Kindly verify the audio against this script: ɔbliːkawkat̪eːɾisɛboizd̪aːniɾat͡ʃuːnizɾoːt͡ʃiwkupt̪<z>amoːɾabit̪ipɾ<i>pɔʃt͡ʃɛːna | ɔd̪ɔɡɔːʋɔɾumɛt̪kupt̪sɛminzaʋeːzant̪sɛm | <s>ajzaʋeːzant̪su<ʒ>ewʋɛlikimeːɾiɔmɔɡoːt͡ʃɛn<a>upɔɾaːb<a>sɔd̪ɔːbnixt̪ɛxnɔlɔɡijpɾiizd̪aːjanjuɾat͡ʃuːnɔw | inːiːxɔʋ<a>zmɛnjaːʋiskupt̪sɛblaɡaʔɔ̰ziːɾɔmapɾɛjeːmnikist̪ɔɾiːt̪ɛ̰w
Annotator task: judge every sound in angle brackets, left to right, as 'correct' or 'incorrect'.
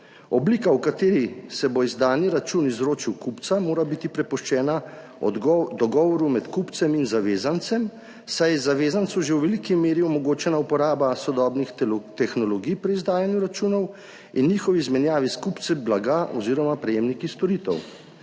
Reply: incorrect, incorrect, correct, correct, correct, correct, incorrect

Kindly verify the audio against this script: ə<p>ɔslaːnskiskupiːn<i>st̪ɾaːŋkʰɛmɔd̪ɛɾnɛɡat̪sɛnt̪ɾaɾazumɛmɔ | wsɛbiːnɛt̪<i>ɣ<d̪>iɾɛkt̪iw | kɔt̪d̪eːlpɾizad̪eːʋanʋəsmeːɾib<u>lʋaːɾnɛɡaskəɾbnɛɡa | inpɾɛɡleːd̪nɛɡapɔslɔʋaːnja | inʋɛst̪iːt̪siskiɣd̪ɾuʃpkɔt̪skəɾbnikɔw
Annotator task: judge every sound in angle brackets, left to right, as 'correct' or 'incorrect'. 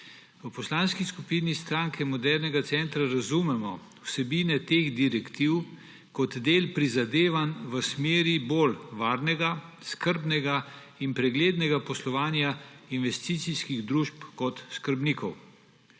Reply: correct, correct, incorrect, correct, incorrect

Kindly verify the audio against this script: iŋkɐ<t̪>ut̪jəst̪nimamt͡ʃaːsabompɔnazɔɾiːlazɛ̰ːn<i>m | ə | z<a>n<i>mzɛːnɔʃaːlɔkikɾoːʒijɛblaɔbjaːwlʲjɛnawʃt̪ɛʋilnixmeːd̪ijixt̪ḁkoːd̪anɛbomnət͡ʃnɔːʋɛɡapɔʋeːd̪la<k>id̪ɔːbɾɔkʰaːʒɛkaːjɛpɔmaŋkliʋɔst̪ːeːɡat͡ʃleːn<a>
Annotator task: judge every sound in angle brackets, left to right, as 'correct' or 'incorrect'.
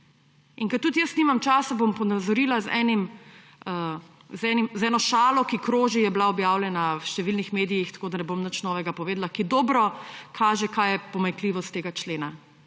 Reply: correct, correct, incorrect, correct, correct, correct

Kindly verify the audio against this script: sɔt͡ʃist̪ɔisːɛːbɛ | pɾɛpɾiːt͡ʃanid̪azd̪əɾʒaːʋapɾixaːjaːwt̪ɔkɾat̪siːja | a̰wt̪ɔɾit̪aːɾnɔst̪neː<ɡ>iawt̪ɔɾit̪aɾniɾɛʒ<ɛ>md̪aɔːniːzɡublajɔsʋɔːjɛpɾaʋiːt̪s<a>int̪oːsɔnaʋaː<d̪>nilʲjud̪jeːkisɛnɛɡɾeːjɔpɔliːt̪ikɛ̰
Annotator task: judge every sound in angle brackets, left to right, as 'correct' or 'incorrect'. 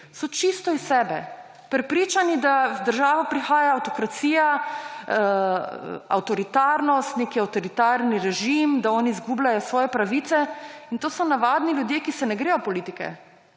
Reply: incorrect, incorrect, incorrect, correct

